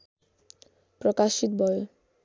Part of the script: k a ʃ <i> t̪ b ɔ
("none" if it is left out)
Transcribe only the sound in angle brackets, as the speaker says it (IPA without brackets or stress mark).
i